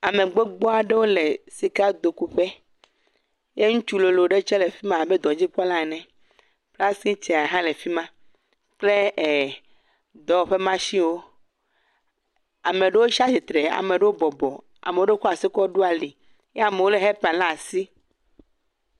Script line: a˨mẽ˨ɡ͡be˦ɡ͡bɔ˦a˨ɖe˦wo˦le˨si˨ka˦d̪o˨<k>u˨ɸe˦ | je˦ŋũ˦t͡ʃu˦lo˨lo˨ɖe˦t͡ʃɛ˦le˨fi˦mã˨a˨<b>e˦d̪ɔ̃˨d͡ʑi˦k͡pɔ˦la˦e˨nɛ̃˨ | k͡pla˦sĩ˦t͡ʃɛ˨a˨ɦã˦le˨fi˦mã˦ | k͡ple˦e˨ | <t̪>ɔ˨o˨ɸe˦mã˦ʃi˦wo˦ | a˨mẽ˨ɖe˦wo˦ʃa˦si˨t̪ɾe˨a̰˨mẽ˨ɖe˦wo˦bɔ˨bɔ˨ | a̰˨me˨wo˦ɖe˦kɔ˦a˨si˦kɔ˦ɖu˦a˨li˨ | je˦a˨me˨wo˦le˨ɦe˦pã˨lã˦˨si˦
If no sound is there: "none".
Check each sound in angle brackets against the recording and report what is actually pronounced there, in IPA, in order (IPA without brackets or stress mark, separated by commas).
k, b, d̪